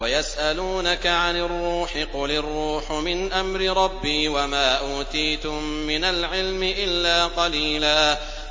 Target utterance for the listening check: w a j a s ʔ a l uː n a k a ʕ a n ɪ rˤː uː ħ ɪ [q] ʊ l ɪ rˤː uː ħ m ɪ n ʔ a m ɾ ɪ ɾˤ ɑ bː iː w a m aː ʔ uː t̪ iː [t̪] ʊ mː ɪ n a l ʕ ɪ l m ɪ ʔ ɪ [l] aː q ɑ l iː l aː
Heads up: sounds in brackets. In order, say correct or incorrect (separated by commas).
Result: correct, correct, incorrect